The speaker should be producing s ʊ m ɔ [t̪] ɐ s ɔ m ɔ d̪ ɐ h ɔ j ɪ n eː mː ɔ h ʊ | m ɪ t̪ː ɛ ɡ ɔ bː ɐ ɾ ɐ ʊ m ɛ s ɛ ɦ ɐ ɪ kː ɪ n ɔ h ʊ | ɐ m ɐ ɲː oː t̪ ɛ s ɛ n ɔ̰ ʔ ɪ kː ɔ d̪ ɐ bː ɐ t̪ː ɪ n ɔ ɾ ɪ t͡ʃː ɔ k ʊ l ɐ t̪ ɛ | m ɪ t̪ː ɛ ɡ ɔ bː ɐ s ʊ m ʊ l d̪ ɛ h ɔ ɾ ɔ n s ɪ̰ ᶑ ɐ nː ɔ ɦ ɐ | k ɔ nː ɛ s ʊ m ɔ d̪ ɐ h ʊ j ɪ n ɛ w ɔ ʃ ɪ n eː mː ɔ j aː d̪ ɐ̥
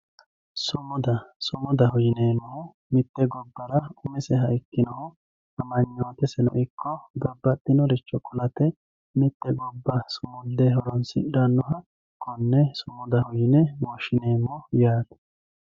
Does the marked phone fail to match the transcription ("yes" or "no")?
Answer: yes